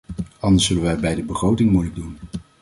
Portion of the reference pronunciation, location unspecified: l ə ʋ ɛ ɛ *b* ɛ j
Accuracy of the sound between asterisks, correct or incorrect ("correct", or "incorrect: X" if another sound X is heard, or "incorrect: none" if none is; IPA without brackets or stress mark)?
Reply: correct